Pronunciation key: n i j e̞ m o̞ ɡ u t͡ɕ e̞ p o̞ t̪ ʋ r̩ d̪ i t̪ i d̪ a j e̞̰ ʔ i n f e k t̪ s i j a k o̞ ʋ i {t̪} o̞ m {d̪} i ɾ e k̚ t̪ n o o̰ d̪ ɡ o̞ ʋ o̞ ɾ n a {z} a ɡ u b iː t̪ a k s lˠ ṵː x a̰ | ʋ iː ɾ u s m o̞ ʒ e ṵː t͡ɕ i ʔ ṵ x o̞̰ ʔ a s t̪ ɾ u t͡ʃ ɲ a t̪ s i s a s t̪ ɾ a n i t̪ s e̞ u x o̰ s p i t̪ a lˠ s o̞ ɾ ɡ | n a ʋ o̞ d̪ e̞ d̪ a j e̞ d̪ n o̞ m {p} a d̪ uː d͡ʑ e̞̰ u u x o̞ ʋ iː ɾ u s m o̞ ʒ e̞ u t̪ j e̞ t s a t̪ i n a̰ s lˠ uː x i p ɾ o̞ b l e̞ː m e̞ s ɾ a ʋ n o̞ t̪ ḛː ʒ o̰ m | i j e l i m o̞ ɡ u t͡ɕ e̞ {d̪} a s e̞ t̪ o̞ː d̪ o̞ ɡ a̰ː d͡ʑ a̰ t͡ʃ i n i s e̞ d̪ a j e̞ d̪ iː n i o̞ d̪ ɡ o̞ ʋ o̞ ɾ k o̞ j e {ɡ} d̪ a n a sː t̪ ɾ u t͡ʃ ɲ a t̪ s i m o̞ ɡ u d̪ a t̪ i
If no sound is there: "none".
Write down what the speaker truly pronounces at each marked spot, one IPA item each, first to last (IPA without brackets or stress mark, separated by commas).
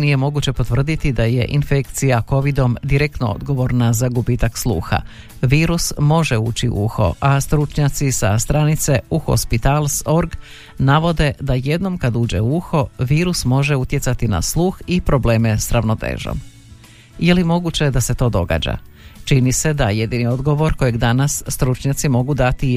d̪, d̪, z, k, d̪, ɡ